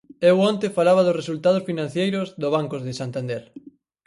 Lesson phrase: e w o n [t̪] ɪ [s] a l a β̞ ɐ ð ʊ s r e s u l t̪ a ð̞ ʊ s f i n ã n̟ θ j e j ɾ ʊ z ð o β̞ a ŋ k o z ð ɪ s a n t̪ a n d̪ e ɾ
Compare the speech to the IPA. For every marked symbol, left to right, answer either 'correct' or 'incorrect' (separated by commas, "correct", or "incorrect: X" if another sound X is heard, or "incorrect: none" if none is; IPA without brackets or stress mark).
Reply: correct, incorrect: f